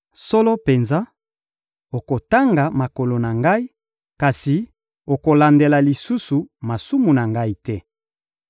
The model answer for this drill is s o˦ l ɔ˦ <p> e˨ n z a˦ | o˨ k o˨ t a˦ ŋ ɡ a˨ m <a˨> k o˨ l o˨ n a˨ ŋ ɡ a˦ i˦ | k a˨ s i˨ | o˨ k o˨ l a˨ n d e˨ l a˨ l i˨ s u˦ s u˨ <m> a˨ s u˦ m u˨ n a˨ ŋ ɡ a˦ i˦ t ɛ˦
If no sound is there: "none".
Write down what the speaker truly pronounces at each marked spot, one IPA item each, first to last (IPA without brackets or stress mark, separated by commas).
p, a˨, m